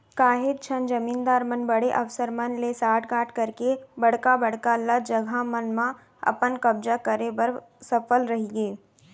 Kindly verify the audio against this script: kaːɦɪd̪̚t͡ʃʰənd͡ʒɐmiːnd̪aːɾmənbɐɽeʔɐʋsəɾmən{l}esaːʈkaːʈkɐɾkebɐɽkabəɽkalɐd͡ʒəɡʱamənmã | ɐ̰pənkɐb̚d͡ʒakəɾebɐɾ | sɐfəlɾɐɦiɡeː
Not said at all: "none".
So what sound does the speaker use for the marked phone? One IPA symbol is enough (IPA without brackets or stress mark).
l